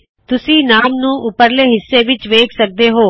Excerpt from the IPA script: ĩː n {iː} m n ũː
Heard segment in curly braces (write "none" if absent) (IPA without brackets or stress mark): aː